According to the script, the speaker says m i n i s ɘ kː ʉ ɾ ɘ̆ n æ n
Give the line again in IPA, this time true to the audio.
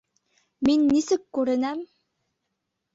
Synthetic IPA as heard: m i nː i s ɘ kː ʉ ɾ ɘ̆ n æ m